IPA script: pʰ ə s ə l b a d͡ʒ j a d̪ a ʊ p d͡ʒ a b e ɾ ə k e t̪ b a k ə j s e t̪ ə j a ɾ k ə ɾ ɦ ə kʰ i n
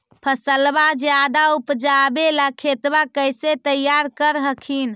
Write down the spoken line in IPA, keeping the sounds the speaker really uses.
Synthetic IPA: pʰ ə s ə l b a d͡ʒ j a d̪ a u p d͡ʒ a b e l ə kʰ e t̪ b a k ə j s e t̪ ə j a ɾ k ə ɾ ɦ ə kʰ i n